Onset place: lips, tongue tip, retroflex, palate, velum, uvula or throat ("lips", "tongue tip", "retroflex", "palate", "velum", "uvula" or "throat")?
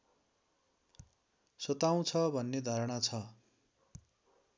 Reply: tongue tip